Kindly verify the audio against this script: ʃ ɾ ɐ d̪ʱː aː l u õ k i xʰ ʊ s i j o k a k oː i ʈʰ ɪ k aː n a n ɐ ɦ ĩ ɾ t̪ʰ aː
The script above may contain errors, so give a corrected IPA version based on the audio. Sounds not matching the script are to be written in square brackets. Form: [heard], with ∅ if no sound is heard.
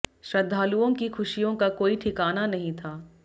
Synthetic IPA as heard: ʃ ɾ ɐ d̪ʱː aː l u õ k i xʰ ʊ [ʃ] i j [õ] k a k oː i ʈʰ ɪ k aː n a n ɐ ɦ ĩ [∅] t̪ʰ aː